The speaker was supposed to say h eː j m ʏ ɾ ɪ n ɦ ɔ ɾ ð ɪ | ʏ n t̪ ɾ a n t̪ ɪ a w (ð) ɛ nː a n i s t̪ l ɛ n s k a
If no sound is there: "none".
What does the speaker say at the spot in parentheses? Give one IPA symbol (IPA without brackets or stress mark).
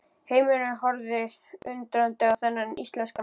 θ